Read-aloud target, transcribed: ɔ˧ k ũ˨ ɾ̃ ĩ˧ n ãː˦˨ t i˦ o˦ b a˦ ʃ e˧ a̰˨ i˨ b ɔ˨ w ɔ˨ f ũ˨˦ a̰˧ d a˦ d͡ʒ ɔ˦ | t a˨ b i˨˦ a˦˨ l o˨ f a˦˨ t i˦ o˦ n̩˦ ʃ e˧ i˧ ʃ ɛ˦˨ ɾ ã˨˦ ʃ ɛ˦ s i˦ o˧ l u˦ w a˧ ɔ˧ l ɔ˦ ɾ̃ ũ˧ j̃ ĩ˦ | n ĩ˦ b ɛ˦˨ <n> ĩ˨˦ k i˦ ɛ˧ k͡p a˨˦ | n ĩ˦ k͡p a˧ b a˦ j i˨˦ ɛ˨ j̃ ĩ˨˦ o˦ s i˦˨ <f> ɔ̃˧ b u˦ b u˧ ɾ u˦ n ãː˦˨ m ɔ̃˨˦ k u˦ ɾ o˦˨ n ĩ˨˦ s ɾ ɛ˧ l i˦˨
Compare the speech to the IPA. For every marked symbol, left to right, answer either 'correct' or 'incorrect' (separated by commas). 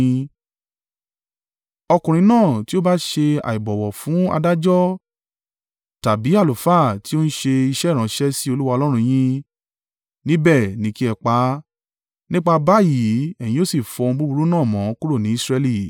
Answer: correct, correct